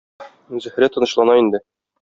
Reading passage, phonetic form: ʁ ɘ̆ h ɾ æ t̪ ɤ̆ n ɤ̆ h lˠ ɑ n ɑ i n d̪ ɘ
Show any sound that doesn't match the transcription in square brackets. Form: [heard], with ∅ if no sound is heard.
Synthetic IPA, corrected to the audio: [z] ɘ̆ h ɾ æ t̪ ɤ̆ n ɤ̆ [ɕ] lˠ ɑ n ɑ i n d̪ ɘ